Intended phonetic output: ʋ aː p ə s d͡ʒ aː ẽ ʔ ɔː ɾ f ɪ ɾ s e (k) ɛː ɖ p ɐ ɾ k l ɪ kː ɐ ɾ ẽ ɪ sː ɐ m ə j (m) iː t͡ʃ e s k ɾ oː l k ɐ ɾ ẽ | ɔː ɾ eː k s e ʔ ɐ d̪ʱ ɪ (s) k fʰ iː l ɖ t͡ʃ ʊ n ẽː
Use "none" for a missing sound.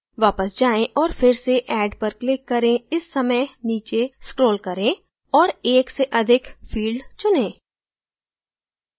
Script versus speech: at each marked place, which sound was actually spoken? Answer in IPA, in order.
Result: ʔ, n, none

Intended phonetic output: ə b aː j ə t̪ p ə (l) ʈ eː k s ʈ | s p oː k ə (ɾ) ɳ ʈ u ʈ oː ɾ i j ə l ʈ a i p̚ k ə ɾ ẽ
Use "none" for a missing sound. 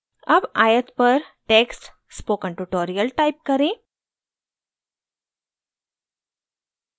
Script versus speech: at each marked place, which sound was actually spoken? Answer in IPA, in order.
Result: ɾ, none

